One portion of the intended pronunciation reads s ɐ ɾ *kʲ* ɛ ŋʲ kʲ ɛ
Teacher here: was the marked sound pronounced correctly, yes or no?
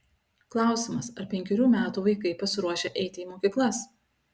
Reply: no